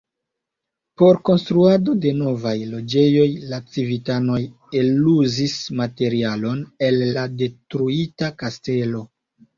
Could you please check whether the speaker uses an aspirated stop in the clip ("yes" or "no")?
no